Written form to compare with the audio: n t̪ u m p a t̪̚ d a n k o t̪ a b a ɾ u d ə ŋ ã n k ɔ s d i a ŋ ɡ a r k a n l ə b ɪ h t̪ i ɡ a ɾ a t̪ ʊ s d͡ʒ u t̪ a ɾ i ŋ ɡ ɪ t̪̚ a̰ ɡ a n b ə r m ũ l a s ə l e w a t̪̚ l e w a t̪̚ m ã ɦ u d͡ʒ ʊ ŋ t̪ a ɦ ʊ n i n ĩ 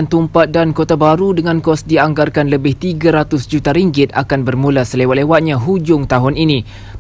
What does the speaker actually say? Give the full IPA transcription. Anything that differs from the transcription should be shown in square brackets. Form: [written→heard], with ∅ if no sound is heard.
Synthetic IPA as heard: n t̪ u m p a t̪̚ d a n k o t̪ a b a ɾ u d ə ŋ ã n k ɔ s d i a ŋ ɡ a r k a n l ə b ɪ h t̪ i ɡ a ɾ a t̪ ʊ s d͡ʒ u t̪ a ɾ i ŋ ɡ ɪ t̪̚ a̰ [ɡ→k] a n b ə r m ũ l a s ə l e w a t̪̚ l e w a t̪̚ [m→ɲ] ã ɦ u d͡ʒ ʊ ŋ t̪ a ɦ ʊ n i n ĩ